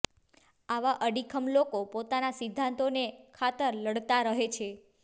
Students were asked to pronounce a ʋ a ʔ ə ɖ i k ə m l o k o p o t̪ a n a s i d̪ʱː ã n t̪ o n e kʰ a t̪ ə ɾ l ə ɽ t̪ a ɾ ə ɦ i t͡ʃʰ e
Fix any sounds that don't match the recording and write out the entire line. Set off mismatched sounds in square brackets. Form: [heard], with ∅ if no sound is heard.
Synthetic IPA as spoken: a ʋ a ʔ ə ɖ i [kʰ] ə m l o k o p o t̪ a n a s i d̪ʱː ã n t̪ o n e kʰ a t̪ ə ɾ l ə ɽ t̪ a ɾ ə ɦ [e] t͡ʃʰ e